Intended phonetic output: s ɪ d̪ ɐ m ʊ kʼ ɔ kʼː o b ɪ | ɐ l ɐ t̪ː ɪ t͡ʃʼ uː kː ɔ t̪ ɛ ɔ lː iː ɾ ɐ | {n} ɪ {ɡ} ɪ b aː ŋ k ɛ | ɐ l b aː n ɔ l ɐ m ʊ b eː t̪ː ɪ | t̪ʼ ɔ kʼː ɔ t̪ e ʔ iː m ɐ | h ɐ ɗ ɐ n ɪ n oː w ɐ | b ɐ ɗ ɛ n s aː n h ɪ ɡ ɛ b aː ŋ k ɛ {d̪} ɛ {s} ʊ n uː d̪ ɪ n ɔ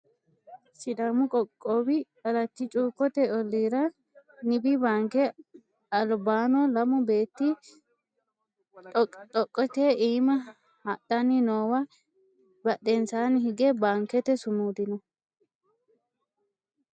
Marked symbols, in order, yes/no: yes, no, no, yes

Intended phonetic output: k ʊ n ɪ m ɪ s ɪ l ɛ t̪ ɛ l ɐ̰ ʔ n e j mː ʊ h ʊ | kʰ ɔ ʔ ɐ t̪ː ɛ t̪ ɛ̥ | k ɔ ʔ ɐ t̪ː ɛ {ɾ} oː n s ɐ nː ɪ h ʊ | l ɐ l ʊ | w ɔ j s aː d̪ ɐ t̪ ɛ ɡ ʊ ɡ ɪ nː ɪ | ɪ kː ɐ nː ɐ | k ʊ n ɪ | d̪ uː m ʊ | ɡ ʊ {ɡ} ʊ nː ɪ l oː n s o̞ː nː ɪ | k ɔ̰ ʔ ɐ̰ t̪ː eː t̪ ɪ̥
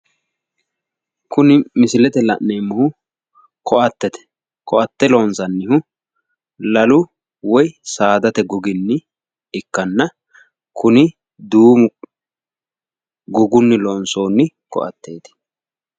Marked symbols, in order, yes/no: no, yes

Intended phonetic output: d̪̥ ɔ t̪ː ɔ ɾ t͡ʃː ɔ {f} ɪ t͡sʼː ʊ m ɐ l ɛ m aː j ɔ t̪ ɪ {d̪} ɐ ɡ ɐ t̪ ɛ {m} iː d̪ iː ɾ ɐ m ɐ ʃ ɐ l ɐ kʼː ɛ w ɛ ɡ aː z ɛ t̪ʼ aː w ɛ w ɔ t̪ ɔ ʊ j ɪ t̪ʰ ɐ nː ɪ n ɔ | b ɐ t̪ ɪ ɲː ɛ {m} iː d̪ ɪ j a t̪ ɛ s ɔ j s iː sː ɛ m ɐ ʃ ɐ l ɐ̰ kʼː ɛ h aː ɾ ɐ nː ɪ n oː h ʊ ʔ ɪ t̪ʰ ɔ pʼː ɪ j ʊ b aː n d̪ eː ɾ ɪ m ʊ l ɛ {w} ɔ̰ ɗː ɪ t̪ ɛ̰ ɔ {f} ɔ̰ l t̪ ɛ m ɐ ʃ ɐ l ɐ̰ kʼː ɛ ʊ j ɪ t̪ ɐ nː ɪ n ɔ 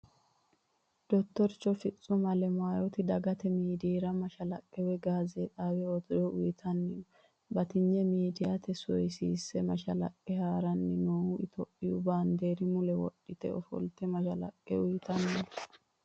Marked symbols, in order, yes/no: yes, yes, yes, yes, yes, yes

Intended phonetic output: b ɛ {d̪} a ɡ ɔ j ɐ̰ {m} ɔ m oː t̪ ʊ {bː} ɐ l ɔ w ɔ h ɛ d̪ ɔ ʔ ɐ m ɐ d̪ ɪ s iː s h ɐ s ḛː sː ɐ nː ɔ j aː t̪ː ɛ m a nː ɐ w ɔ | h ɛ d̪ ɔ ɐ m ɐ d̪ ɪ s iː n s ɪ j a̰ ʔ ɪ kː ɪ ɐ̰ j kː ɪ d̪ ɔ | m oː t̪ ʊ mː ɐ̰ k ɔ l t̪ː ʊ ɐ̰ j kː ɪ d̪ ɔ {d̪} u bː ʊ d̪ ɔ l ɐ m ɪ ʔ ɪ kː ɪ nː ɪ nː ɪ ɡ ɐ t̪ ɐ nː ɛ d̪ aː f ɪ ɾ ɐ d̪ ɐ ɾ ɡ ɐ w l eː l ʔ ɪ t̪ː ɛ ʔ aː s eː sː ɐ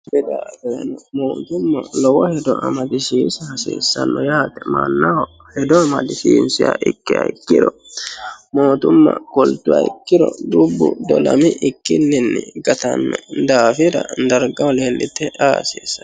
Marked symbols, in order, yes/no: yes, no, no, yes

